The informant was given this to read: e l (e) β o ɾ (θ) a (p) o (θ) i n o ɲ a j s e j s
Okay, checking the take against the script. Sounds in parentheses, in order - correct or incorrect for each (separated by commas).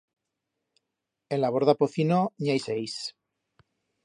incorrect, incorrect, correct, correct